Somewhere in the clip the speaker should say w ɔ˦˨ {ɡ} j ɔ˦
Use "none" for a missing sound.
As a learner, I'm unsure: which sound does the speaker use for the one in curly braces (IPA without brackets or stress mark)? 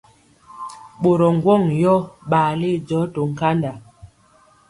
ŋ